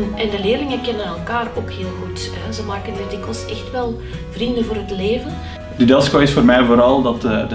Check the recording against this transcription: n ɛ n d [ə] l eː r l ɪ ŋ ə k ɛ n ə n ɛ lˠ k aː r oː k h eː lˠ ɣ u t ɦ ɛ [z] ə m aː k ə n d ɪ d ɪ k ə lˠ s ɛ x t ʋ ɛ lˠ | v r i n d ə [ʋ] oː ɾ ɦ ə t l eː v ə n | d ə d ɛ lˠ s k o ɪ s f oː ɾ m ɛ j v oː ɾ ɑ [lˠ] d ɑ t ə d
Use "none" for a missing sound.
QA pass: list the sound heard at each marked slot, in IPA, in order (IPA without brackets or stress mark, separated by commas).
ə, z, v, lˠ